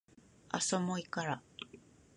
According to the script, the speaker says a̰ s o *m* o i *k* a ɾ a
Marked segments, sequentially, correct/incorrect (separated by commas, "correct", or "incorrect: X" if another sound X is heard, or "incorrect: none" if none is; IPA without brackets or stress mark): correct, correct